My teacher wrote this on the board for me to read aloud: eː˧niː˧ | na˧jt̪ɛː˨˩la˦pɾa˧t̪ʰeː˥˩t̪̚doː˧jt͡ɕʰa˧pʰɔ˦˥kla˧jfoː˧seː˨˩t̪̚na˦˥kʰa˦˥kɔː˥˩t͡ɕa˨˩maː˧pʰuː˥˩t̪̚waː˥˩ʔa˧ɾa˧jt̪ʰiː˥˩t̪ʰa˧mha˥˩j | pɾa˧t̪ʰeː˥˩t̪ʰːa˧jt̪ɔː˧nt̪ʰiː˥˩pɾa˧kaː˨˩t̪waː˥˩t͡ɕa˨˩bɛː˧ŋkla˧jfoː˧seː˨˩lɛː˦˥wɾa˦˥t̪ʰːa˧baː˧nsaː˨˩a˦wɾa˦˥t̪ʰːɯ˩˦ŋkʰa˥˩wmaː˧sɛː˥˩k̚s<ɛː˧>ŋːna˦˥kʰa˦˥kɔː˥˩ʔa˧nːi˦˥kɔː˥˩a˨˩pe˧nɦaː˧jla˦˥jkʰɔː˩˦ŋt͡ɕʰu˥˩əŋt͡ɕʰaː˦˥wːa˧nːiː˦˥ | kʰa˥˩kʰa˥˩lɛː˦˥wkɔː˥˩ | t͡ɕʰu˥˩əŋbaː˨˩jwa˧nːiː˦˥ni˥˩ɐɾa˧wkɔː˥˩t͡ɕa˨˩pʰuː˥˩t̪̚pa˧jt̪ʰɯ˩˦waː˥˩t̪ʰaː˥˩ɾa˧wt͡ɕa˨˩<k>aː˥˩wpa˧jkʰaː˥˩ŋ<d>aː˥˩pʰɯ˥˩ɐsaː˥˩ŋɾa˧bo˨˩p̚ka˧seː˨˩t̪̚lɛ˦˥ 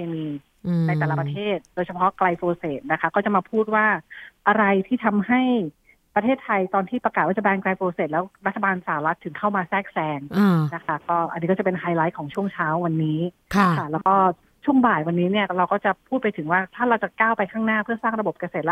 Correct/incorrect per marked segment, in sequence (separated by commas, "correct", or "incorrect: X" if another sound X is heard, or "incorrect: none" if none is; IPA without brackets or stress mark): correct, correct, incorrect: n